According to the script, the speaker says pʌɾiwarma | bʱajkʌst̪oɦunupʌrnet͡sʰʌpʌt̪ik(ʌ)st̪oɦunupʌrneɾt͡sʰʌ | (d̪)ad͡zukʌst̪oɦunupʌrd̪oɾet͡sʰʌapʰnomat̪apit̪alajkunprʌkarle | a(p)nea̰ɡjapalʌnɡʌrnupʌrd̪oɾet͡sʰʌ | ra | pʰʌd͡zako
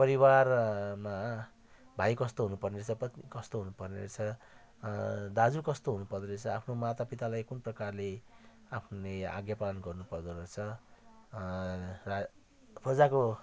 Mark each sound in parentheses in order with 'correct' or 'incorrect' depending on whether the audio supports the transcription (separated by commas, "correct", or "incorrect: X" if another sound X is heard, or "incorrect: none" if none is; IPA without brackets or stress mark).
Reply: correct, correct, incorrect: pʰ